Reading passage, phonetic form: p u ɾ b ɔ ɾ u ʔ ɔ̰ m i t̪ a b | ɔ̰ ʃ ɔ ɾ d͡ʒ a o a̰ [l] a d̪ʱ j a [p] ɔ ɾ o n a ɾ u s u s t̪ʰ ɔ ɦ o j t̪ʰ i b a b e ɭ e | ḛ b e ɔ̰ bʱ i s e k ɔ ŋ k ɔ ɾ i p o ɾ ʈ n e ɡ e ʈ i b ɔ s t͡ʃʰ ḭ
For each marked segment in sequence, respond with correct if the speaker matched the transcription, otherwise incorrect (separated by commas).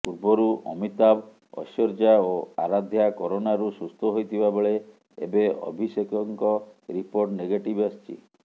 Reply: incorrect, incorrect